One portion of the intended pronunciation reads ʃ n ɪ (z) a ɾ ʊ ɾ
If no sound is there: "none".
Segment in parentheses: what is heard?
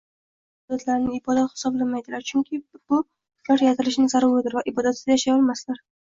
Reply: z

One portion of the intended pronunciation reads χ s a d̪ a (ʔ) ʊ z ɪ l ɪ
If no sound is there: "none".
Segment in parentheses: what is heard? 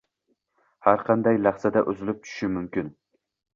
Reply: ʔ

